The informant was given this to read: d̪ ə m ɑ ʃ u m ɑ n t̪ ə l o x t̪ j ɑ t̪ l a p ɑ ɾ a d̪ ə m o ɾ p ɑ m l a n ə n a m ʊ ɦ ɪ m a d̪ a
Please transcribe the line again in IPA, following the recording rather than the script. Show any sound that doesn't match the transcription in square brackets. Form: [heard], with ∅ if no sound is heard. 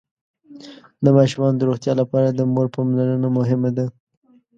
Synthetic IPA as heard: d̪ ə m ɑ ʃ u m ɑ n [d̪] ə [ɾ] o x t̪ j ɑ [∅] l a p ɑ ɾ a d̪ ə m o ɾ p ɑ m l a n ə n a m ʊ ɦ ɪ m a d̪ a